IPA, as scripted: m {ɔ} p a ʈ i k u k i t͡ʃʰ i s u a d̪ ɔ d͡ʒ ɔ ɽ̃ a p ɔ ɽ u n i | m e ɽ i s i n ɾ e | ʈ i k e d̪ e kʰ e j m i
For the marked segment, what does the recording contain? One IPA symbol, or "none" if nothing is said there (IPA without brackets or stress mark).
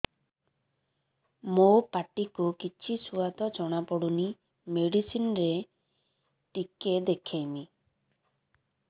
o